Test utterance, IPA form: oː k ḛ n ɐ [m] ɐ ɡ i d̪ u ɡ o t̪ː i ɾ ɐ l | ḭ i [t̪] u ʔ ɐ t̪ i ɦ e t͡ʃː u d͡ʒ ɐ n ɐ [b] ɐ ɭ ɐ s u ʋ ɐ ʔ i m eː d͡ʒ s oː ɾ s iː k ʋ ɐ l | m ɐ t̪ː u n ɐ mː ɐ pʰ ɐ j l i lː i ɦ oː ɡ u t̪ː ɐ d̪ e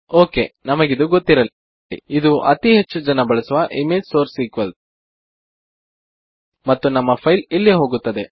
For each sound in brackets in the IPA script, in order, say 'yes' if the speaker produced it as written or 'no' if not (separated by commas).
yes, no, yes